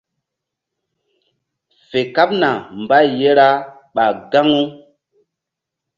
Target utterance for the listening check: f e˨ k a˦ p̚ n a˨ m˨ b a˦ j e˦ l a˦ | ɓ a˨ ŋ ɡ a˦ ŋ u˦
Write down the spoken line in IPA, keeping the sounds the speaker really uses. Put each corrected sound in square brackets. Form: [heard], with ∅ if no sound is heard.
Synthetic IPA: f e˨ k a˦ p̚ n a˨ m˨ b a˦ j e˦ [ɾ] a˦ | ɓ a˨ [∅] ɡ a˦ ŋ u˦